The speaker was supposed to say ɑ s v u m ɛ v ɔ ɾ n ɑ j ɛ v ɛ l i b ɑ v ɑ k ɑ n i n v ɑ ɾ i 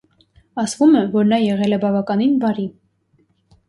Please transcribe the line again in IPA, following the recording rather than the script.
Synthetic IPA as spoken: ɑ s v u m ɛ v ɔ ɾ n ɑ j ɛ ʁ ɛ l ɛ b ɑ v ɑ k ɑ n i n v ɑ ɾ i